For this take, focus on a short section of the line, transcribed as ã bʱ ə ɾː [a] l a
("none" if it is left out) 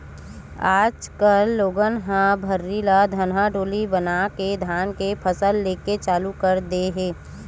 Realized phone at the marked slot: i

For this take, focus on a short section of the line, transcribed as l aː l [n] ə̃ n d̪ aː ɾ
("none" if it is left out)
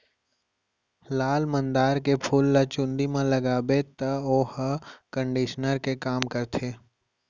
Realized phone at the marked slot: m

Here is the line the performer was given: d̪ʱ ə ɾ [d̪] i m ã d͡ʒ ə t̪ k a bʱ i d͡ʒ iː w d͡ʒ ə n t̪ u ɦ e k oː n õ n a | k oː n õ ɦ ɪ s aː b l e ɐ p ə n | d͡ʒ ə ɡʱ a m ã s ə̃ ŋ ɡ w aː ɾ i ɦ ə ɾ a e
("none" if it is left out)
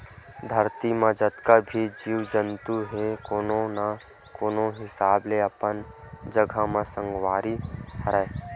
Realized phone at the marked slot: t̪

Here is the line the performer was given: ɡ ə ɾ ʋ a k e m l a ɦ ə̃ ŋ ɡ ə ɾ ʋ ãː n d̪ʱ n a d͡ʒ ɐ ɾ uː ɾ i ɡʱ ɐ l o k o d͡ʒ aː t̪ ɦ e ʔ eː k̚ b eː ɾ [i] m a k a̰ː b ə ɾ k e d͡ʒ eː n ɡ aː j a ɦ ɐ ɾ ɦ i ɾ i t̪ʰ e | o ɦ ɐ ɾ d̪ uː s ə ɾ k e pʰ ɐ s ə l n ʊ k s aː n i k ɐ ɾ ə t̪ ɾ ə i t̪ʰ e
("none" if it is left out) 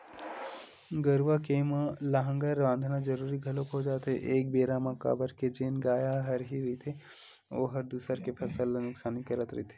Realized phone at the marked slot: a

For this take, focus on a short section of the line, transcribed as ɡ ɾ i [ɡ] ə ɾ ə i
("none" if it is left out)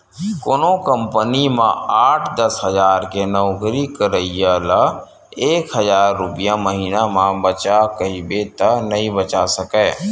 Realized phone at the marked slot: k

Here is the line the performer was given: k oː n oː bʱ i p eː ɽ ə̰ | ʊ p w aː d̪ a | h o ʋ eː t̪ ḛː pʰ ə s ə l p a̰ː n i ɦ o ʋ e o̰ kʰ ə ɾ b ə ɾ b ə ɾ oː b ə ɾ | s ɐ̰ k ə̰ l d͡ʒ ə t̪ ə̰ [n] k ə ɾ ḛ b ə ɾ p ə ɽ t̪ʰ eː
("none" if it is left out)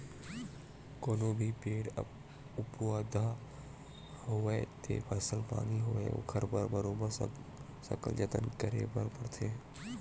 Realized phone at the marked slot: n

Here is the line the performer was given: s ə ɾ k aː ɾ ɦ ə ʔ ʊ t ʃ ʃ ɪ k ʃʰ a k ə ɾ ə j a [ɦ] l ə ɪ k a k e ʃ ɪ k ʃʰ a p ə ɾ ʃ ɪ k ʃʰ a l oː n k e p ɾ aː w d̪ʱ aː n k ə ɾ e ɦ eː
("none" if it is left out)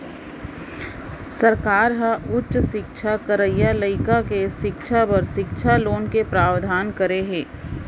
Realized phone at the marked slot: none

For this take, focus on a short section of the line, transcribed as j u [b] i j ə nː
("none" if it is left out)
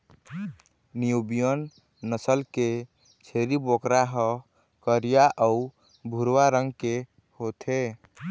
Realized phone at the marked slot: b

